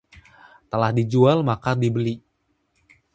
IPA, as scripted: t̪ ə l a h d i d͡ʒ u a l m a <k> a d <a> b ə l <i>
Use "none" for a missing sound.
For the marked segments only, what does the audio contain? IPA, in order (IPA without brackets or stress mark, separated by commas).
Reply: k, i, i